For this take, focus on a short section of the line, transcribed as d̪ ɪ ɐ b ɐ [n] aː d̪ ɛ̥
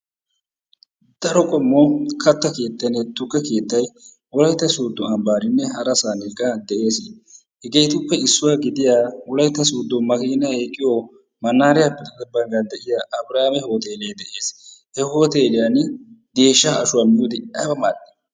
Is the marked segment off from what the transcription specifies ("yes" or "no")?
yes